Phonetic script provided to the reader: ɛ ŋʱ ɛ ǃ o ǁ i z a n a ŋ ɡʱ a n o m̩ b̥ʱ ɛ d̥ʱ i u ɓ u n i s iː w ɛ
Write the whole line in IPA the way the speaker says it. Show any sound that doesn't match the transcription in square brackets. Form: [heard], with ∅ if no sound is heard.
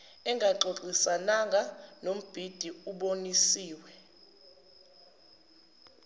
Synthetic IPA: ɛ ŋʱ [a] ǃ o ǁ i [s] a n a ŋ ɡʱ a n o m̩ b̥ʱ [i] d̥ʱ i u ɓ [o] n i s iː w ɛ